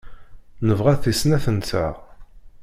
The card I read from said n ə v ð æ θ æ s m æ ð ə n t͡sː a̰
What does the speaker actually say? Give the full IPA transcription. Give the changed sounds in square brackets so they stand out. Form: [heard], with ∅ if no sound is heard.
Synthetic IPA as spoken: n ə v [ʁ] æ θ [i] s [n] æ [θ] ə n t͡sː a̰